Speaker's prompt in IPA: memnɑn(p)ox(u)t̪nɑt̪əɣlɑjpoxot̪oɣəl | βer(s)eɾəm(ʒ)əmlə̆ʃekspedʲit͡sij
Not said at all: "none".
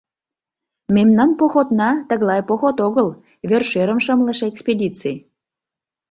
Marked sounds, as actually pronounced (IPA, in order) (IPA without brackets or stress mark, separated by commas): p, o, ʃ, ʃ